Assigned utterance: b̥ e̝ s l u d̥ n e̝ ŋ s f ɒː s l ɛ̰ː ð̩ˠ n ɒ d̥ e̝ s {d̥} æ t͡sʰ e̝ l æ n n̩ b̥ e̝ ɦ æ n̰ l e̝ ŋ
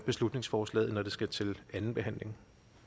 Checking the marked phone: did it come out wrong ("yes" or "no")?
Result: yes